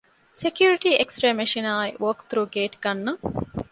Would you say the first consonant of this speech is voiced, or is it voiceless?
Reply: voiceless